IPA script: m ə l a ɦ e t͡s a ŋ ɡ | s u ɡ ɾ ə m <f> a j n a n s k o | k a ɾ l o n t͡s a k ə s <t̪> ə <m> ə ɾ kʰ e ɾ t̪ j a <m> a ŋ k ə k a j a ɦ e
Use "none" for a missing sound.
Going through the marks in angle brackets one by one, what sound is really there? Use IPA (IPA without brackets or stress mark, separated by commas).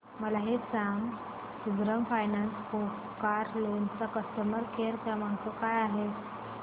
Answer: f, t̪, m, m